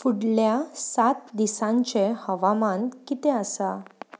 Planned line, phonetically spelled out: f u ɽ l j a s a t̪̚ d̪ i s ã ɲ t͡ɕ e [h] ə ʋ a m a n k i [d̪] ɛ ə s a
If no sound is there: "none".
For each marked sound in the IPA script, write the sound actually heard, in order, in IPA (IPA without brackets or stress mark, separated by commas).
h, t̪